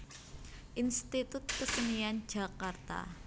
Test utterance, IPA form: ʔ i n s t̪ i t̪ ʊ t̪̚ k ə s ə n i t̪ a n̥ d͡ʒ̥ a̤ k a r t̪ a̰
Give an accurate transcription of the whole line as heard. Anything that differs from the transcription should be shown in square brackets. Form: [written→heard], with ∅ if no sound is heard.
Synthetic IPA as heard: ʔ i n s t̪ i t̪ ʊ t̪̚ k ə s ə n i [t̪→∅] a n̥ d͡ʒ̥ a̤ k a r t̪ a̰